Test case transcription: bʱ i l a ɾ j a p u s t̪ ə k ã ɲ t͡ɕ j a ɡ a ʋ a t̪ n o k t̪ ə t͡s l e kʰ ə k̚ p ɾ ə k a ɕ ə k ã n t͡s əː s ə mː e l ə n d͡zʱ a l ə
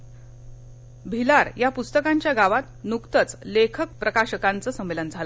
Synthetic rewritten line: bʱ i l a ɾ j a p u s t̪ ə k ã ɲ t͡ɕ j a ɡ a ʋ a t̪ n u k t̪ ə t͡s l e kʰ ə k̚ p ɾ ə k a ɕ ə k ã n t͡s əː s ə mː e l ə n d͡zʱ a l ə